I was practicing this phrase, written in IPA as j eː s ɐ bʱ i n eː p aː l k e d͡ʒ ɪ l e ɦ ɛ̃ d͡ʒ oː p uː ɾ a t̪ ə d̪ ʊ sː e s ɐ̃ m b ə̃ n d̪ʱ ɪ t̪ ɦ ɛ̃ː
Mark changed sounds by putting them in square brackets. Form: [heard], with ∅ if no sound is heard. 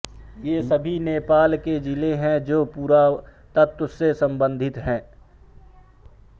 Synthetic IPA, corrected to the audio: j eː s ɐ bʱ i n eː p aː l k e d͡ʒ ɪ l e ɦ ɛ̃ d͡ʒ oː p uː ɾ a t̪ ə [t̪] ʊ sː e s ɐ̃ m b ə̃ n d̪ʱ ɪ t̪ ɦ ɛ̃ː